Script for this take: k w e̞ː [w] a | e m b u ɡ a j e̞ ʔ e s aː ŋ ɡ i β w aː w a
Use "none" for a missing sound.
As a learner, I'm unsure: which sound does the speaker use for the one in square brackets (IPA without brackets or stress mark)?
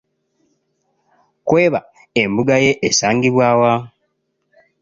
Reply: β